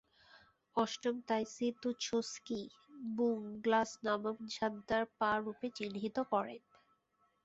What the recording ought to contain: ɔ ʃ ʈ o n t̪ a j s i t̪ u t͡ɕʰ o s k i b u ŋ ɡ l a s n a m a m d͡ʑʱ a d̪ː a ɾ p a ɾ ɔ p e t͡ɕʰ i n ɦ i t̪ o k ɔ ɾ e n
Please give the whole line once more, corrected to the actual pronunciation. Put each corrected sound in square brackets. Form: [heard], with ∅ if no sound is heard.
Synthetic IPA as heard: ɔ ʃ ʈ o [m] t̪ a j s i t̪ u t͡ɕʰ o s k i b u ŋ ɡ l a s n a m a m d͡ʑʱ a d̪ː a ɾ p a ɾ [u] p e [t͡ɕ] i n ɦ i t̪ o k ɔ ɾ e n